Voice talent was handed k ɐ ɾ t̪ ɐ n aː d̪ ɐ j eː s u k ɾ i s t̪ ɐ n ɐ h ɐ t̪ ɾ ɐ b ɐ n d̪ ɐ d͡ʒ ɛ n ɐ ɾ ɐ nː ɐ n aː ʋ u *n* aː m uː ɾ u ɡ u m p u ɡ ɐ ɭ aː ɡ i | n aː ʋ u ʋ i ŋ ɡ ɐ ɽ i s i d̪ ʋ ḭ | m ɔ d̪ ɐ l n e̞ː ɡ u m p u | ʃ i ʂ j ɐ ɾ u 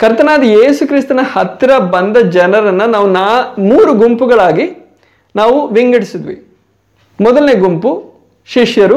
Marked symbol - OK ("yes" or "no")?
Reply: yes